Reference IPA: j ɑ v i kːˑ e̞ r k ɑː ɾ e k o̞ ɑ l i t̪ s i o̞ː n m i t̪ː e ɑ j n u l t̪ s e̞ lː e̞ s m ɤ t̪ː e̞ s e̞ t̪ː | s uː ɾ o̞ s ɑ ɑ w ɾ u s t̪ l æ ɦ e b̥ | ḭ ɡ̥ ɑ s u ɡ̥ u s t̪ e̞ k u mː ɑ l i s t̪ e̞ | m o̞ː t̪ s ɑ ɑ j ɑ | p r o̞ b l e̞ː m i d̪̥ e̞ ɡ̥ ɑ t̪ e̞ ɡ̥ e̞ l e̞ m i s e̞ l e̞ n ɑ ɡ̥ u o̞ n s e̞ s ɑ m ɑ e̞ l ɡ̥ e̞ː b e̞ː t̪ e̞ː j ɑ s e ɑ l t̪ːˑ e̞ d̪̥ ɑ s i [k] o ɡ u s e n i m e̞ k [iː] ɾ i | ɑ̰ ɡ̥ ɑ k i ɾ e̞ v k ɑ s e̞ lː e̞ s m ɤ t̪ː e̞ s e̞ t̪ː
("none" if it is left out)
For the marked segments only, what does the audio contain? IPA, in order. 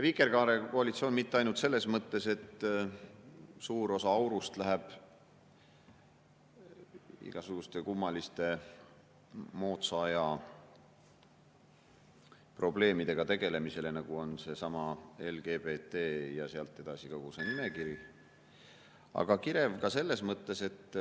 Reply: k, i

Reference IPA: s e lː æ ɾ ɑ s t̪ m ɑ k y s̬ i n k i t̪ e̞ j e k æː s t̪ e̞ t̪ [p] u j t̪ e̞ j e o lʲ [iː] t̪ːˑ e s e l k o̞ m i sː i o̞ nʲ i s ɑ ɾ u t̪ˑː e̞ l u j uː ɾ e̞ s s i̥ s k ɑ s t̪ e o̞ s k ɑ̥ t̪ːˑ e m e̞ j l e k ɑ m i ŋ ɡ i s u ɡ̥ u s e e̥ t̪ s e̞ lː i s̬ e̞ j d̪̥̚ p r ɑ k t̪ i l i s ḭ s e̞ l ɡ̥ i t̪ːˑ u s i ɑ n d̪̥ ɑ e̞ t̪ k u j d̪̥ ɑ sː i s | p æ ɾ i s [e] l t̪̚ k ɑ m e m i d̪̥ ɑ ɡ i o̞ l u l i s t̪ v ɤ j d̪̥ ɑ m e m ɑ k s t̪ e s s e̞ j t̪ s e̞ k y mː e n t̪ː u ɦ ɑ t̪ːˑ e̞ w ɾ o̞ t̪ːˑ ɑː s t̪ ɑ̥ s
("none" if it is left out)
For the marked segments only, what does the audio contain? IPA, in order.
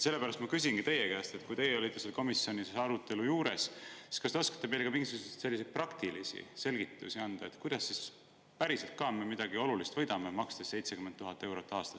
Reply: k, i, e

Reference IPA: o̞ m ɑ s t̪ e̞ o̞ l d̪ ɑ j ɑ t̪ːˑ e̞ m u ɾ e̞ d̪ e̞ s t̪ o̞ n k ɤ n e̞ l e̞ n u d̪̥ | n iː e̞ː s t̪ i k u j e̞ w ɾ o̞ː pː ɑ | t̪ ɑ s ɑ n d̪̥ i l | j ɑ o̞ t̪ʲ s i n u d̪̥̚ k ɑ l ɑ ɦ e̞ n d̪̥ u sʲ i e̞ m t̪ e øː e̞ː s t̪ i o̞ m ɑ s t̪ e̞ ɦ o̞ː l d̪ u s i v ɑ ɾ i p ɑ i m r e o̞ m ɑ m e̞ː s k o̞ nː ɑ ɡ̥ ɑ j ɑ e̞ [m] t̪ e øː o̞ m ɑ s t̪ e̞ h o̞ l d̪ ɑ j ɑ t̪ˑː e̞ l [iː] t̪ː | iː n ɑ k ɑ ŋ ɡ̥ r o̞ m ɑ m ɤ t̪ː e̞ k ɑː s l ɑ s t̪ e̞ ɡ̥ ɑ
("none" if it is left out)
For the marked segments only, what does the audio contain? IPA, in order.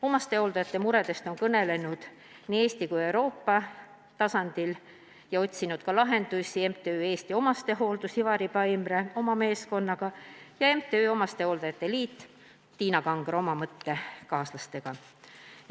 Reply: m, iː

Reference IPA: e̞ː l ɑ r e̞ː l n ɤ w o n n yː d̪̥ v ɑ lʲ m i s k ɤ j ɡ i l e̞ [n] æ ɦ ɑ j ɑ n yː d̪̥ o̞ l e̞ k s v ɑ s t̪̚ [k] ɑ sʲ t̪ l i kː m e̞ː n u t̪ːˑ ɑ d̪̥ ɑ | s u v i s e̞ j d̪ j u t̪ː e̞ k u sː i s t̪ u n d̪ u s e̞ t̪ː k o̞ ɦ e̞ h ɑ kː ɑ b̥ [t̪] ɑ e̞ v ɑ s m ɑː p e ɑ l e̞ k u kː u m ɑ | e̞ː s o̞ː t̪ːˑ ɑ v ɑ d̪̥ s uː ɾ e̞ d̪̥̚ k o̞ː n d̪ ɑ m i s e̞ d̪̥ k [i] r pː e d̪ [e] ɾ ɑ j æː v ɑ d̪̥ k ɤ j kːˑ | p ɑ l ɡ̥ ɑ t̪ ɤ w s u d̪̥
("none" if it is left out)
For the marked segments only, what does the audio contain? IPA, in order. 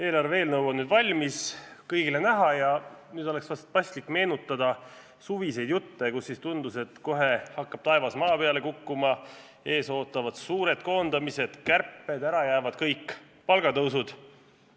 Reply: n, p, t̪, æ, æ

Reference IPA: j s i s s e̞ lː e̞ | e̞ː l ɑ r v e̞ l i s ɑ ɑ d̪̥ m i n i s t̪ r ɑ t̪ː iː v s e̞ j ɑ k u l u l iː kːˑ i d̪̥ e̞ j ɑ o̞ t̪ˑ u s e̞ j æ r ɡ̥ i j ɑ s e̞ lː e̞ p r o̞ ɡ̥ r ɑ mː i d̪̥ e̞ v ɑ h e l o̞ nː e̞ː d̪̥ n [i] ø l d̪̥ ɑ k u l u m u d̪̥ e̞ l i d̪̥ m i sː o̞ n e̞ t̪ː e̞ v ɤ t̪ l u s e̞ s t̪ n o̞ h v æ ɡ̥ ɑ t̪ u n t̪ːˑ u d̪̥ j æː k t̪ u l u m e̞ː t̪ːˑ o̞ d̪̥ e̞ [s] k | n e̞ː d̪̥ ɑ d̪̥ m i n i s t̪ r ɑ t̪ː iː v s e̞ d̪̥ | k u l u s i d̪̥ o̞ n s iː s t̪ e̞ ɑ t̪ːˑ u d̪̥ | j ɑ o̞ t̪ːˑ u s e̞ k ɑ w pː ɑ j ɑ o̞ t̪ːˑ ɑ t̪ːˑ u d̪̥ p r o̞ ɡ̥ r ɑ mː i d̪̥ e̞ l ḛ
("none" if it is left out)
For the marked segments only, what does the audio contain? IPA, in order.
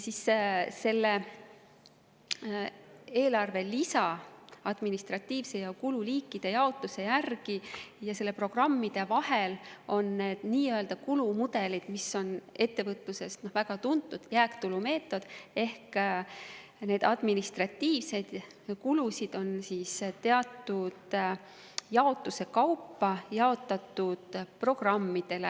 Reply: iː, h

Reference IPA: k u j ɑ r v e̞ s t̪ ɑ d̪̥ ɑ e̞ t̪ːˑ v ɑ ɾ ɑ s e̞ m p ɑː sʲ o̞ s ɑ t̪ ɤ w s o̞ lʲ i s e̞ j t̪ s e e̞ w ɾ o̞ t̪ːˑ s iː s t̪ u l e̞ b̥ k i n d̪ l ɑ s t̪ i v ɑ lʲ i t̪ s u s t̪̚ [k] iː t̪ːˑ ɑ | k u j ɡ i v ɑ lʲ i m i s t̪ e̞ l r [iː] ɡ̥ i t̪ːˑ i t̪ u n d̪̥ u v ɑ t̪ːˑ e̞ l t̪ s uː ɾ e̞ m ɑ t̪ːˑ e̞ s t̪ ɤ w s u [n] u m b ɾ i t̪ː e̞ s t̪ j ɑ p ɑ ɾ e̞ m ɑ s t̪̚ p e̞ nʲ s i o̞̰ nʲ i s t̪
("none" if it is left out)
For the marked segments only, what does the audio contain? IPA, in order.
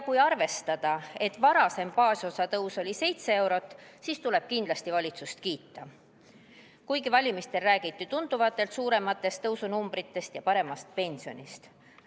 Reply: k, æː, n

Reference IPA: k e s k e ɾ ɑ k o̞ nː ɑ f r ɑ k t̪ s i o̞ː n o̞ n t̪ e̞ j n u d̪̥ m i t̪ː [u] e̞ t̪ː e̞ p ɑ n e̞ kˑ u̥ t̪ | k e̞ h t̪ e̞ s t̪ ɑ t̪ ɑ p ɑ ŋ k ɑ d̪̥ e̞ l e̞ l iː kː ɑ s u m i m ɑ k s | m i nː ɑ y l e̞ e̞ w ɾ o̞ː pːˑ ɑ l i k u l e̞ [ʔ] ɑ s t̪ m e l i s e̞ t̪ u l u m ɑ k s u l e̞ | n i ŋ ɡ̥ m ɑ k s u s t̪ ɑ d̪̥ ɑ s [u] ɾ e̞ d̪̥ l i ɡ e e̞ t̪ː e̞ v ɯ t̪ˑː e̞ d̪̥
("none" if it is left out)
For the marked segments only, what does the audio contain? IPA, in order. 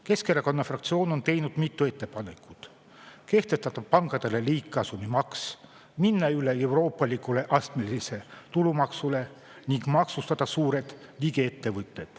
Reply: u, ʔ, uː

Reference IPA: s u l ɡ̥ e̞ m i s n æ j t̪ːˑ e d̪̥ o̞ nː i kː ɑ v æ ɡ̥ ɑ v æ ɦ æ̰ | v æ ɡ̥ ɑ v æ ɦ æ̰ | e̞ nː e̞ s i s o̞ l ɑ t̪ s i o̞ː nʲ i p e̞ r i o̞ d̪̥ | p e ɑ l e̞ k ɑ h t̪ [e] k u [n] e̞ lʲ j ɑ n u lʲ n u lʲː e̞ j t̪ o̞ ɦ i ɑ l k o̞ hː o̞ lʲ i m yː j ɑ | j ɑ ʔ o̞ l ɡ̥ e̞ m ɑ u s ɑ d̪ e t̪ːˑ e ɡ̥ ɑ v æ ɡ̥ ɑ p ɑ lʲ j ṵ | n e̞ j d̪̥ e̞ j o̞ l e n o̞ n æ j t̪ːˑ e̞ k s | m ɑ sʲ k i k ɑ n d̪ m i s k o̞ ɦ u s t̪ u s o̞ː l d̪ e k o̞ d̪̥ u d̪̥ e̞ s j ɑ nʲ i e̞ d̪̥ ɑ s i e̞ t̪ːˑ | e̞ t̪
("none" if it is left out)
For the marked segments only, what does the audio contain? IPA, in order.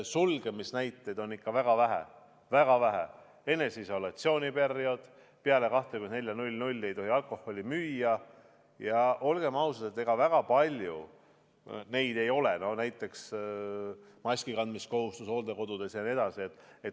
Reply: e, n

